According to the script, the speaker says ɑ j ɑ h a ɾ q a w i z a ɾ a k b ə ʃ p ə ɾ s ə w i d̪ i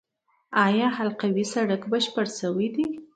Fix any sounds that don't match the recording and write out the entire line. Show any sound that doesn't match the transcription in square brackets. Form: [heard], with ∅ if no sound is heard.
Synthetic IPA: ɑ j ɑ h a [l] q a w i [s] a [ɽ] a k b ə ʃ p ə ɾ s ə w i d̪ i